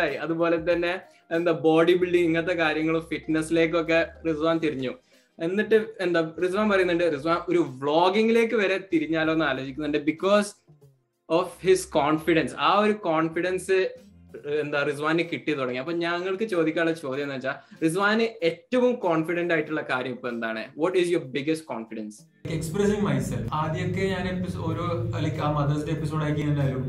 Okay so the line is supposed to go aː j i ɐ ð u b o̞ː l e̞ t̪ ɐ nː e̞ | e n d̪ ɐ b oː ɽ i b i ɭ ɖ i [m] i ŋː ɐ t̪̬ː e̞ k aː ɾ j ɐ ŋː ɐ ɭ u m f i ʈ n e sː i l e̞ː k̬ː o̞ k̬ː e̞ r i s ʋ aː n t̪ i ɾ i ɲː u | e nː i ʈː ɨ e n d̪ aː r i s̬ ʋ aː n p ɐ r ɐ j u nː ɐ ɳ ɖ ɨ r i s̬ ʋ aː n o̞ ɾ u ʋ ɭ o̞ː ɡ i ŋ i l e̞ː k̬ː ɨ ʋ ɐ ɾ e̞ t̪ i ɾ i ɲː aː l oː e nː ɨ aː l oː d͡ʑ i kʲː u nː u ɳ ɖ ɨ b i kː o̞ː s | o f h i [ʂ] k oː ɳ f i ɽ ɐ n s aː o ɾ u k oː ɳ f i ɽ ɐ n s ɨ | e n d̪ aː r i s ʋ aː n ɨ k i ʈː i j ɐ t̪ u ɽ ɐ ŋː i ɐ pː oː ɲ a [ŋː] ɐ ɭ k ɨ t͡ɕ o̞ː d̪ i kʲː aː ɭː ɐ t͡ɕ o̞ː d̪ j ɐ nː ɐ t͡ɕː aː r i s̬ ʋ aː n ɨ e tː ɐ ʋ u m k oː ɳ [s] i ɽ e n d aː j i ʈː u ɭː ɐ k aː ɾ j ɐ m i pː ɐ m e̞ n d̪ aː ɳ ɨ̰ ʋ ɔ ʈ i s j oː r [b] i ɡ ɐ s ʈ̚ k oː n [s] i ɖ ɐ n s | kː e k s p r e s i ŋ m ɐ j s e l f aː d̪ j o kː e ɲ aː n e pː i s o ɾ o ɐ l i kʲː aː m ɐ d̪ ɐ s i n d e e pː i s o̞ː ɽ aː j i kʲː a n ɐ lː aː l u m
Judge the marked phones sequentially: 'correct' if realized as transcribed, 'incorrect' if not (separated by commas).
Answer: incorrect, incorrect, correct, incorrect, correct, incorrect